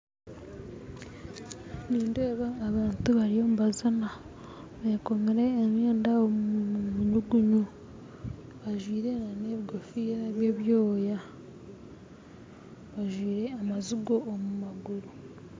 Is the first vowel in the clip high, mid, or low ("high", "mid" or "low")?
high